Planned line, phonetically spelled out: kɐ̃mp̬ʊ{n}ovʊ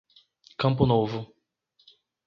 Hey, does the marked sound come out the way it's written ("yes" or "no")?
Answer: yes